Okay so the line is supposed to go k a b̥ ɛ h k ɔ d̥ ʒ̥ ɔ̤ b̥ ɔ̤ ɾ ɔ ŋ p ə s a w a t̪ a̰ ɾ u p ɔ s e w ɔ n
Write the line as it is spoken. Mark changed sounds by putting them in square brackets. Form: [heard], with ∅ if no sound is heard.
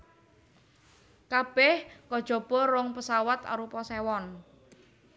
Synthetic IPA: k a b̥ ɛ h k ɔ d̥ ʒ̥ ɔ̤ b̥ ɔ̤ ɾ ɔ ŋ p ə s a w a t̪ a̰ ɾ u p ɔ s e w ɔ n